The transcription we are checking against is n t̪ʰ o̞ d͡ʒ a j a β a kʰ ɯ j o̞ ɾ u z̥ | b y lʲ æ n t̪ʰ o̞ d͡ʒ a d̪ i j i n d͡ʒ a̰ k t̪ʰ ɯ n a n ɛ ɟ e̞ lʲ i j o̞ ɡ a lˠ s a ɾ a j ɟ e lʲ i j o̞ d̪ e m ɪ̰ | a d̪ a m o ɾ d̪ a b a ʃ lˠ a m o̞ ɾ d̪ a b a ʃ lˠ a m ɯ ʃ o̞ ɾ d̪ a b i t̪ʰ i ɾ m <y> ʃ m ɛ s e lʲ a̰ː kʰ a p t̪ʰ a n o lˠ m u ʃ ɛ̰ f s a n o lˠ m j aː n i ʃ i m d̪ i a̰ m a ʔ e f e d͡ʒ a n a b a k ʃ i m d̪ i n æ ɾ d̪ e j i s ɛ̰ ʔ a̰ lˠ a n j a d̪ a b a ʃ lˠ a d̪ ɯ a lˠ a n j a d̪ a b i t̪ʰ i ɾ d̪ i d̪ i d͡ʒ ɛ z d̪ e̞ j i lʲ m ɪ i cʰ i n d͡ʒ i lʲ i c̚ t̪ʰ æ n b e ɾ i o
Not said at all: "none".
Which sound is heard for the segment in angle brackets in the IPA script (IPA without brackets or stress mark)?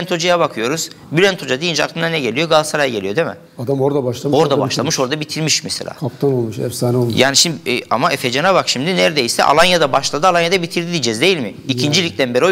i